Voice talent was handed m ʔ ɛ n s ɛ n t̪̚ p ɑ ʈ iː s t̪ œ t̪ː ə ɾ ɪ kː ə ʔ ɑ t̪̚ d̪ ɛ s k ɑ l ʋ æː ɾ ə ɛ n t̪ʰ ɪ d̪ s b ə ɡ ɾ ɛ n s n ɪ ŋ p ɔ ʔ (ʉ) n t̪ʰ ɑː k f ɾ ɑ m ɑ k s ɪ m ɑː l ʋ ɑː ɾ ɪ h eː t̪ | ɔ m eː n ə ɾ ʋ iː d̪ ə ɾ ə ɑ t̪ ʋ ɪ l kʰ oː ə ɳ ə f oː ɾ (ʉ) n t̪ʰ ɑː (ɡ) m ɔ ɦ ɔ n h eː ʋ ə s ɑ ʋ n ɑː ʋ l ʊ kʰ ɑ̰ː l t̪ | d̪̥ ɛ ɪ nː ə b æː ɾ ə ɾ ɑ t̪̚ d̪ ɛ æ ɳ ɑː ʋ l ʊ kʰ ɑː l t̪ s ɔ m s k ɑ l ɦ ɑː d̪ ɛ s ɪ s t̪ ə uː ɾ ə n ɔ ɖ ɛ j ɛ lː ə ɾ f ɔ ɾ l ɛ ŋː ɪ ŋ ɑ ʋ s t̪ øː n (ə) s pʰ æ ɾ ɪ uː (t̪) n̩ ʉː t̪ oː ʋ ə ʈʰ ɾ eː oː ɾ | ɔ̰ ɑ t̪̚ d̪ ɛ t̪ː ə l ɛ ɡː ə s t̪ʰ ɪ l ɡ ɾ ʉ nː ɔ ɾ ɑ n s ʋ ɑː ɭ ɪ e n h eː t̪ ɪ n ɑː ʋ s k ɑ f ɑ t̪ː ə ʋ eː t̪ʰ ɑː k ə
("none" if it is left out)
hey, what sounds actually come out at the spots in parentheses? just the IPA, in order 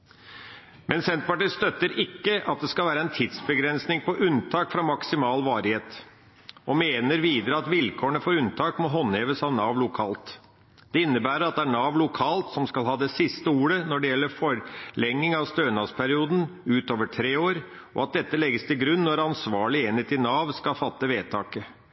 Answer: ʉ, ʉ, k, ɑ, d̪

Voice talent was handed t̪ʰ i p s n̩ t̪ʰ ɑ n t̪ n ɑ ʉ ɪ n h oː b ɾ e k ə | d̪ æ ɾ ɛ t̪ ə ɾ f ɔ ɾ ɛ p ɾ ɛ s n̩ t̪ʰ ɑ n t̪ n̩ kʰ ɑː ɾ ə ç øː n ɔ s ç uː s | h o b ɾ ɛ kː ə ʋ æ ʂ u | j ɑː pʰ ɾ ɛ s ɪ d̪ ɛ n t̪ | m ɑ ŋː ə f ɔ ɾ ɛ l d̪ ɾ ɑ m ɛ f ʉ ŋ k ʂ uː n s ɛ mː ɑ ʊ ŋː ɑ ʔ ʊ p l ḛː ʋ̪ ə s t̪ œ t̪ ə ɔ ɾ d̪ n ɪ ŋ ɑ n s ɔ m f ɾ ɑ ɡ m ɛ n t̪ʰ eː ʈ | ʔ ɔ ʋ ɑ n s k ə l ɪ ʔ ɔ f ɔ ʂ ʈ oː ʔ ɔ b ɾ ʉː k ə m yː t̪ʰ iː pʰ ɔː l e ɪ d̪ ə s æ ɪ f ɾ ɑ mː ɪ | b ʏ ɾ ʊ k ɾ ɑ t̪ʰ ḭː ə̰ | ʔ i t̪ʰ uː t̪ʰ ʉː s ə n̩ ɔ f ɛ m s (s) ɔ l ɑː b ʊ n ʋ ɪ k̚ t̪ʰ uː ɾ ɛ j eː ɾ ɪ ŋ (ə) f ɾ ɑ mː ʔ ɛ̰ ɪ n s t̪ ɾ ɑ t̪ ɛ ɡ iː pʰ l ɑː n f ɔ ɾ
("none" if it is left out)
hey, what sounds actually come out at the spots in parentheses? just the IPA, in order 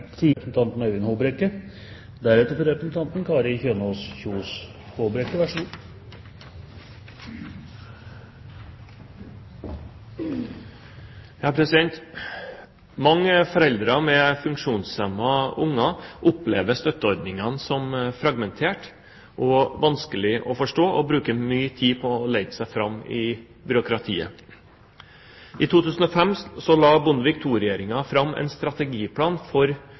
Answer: s, ɑ

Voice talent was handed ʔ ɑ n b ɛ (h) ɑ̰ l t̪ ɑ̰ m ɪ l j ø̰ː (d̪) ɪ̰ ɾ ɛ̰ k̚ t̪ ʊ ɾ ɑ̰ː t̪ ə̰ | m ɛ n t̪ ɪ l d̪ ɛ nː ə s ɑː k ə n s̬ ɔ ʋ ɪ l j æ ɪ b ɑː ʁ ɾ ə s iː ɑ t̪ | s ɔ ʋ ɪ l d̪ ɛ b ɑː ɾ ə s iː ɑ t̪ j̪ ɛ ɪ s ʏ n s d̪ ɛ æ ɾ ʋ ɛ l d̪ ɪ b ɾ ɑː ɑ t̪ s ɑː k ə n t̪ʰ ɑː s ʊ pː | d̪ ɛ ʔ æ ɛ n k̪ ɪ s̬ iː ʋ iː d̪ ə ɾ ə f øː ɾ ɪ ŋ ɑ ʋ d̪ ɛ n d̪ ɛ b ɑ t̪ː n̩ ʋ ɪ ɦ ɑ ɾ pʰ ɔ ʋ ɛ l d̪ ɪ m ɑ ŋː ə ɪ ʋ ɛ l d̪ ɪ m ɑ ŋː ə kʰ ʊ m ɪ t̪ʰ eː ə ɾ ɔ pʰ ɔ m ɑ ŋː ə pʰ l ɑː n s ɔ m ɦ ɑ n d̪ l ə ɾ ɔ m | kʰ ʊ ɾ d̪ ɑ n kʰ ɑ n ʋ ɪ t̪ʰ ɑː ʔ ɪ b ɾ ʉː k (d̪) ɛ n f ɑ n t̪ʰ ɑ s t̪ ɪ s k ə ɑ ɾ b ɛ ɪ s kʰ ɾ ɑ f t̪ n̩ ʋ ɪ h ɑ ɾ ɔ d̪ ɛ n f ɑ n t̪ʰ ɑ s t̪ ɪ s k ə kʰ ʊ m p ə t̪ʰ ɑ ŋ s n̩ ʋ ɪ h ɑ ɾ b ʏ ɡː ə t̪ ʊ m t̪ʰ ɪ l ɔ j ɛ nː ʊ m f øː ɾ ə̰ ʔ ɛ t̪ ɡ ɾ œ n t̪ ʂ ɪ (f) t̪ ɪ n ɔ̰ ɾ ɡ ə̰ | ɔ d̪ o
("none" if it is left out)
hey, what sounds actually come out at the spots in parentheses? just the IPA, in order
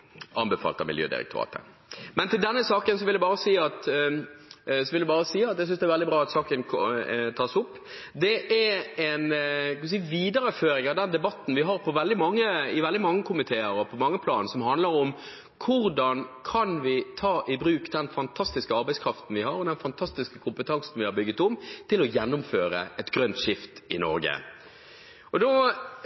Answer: f, d̪, d̪, f

